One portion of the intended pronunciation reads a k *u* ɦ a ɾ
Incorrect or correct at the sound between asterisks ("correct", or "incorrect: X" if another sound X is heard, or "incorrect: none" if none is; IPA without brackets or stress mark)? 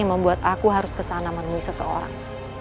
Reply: correct